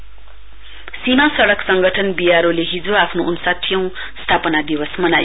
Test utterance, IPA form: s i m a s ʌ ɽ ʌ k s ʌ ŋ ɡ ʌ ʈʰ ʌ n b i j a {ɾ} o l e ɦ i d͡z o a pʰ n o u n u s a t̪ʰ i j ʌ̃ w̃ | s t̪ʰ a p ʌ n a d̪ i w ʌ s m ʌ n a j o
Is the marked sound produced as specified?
yes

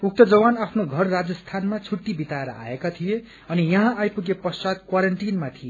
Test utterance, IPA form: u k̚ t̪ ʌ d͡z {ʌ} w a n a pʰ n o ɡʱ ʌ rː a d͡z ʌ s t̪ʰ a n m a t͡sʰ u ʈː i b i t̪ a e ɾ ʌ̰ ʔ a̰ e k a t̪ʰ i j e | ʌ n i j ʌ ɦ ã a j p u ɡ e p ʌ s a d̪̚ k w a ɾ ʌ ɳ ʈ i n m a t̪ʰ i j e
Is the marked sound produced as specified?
yes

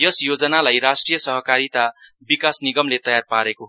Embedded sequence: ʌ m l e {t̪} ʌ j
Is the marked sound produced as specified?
yes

